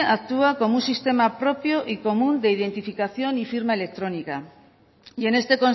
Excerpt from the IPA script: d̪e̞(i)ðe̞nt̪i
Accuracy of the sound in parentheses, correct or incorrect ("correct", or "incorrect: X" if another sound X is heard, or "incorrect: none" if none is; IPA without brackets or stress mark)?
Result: correct